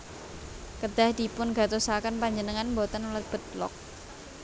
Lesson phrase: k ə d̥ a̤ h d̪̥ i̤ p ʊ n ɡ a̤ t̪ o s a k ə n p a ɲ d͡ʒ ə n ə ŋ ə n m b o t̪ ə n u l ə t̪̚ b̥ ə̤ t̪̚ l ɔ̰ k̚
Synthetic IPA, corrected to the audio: k ə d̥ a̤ h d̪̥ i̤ p ʊ n ɡ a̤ t̪ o s a k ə n p a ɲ d͡ʒ ə n ə ŋ a n m b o t̪ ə n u l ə t̪̚ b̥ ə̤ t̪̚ l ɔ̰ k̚